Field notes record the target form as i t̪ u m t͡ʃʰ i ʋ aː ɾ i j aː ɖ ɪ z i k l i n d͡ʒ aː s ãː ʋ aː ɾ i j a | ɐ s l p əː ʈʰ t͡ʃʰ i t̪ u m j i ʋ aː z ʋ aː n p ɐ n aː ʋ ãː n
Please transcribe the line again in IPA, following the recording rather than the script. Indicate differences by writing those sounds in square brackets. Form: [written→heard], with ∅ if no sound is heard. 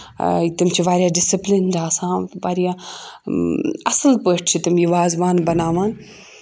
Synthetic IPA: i t̪ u m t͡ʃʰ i ʋ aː ɾ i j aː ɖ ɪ [z→s] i [k→p] l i n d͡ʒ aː s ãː ʋ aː ɾ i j a | ɐ s l p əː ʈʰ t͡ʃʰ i t̪ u m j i ʋ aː z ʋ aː n [p→b] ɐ n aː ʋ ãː n